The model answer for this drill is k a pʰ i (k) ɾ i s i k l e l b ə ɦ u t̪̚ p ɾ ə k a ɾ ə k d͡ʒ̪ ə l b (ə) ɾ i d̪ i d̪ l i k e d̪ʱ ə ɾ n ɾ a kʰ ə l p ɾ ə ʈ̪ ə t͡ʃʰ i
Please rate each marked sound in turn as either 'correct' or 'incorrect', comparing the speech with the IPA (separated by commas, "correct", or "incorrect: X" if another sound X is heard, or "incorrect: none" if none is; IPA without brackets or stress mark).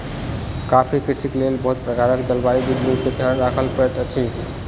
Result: correct, incorrect: a